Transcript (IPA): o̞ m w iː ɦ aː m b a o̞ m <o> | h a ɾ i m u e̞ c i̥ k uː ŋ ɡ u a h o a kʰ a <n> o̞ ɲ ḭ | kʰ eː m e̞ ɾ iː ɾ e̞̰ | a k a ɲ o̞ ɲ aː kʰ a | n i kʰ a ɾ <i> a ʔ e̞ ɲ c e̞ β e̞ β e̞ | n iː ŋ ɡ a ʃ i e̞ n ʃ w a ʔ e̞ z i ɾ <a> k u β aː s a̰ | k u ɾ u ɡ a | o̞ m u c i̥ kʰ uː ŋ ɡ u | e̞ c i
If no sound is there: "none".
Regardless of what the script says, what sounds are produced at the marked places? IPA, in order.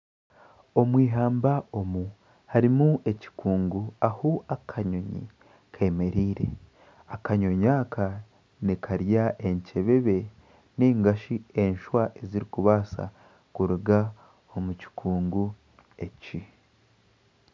u, ɲ, j, i

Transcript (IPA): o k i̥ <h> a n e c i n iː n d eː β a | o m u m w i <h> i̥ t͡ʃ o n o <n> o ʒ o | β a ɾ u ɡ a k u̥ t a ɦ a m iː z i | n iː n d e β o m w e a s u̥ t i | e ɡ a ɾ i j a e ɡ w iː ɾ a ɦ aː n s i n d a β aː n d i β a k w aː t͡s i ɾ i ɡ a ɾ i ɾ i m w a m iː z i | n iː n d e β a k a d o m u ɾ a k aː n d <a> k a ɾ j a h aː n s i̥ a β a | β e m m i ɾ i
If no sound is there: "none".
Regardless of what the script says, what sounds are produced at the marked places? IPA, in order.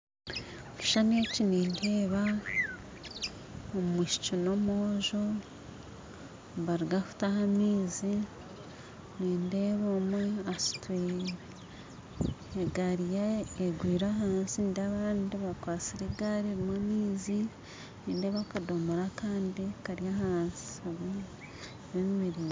ʃ, ʃ, m, i

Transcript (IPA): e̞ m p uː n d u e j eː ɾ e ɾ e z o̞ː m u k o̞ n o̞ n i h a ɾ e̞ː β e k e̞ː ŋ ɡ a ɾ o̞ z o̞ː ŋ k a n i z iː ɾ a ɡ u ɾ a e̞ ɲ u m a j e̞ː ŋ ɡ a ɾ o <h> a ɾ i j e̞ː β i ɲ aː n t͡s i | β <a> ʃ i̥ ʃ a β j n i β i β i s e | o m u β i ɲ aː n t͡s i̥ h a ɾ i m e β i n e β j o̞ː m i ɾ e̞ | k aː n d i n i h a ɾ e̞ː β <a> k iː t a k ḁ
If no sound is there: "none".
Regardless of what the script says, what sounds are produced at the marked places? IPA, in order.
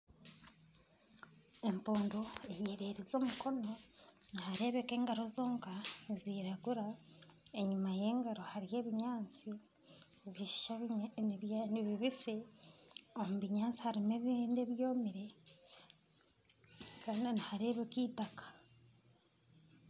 h, i, e

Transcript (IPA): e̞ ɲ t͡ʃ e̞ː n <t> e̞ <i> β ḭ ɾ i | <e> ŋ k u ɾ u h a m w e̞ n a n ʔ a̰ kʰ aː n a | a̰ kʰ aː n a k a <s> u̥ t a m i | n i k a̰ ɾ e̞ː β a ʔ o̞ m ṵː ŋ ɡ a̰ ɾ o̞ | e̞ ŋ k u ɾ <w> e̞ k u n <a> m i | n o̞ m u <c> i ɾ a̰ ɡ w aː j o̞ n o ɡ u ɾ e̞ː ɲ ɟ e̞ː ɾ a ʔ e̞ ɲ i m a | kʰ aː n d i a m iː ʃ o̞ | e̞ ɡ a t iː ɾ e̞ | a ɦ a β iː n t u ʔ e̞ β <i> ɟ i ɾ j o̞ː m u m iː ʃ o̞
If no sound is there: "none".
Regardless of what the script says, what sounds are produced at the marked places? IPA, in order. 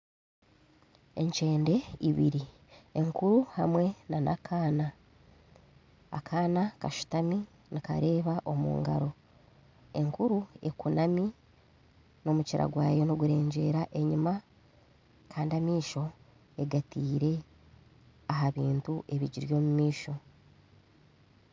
d, i, e, ʃ, u, a, c, i

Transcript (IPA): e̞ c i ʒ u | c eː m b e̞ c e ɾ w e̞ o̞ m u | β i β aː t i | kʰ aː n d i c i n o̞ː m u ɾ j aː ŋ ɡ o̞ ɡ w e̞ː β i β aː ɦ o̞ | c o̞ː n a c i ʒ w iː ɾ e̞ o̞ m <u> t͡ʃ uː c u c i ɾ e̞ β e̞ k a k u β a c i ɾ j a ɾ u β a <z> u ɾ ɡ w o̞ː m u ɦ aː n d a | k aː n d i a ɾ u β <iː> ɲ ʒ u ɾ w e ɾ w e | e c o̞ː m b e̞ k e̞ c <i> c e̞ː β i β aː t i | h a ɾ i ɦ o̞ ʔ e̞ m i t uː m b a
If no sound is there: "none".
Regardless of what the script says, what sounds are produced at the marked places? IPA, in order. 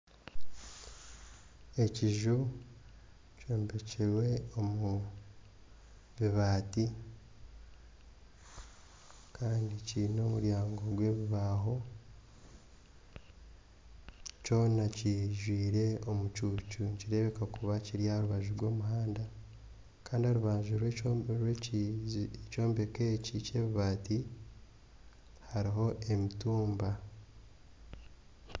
u, ʒ, aː, i

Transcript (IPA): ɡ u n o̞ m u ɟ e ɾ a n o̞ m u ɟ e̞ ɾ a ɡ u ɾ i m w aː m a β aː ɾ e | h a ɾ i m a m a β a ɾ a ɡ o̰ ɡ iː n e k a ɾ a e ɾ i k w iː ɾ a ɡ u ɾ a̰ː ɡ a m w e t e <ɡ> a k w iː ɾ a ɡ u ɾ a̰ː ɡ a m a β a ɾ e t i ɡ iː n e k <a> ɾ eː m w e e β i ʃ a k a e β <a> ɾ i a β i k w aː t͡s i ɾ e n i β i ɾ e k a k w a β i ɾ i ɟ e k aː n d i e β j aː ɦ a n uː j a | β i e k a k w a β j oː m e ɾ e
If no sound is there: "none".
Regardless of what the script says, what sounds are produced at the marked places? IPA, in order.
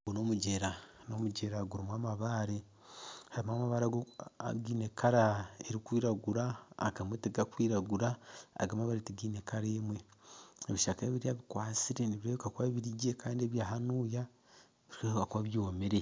ɡ, a, i

